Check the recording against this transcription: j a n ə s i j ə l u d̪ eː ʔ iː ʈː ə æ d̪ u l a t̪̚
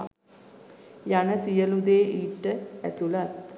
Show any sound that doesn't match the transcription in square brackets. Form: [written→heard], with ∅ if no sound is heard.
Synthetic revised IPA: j a n ə s i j ə l u d̪ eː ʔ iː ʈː ə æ [d̪→t̪] u l a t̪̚